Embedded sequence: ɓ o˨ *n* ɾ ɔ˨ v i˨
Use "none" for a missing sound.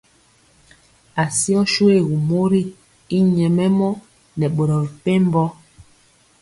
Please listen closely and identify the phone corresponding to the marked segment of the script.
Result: none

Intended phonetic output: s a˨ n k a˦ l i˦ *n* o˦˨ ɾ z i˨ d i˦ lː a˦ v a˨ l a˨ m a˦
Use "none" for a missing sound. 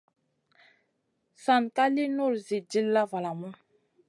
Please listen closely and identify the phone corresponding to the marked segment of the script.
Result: n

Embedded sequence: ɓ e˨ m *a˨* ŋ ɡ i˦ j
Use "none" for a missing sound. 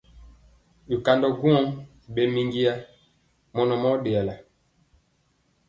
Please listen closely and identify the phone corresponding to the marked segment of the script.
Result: i˨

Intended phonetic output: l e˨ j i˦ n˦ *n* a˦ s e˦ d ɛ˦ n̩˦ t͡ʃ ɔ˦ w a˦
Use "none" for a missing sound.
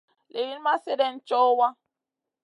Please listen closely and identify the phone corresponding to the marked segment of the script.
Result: m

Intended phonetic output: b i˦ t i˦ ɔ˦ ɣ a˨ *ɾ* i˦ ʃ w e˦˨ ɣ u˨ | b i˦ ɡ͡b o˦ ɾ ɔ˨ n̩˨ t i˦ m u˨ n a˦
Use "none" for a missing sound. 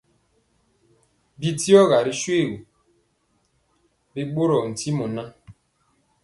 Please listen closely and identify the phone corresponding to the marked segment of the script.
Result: ɾ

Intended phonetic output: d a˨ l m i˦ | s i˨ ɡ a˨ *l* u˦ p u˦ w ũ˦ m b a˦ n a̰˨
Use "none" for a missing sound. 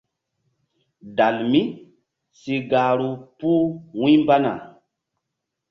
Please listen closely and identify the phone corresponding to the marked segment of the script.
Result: ɾ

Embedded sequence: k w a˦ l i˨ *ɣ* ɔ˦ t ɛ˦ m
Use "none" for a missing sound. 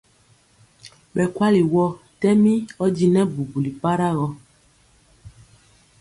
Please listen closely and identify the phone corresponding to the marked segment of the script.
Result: w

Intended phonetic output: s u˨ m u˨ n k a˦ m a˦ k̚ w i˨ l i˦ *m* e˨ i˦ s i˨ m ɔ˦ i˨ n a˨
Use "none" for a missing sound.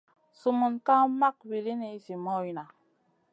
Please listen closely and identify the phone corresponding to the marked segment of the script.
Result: n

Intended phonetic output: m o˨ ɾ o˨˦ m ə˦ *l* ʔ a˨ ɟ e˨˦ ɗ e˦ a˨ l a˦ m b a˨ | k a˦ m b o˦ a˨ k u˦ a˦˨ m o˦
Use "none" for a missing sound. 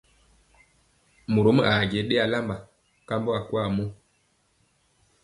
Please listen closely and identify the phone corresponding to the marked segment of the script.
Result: none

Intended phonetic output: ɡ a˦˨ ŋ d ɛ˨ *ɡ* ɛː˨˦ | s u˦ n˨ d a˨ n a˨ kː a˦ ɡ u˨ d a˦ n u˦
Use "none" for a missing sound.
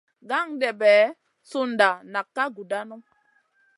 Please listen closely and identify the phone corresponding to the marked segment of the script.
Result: b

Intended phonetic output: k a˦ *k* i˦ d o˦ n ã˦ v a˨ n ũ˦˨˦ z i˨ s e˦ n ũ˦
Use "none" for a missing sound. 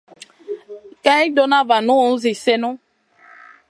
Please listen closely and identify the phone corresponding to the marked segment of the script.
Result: none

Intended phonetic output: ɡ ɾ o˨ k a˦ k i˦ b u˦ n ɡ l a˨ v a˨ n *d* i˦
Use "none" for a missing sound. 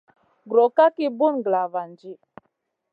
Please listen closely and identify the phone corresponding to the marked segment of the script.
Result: d͡ʒ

